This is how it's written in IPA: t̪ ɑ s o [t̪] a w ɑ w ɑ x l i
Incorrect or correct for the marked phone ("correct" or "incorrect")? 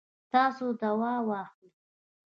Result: incorrect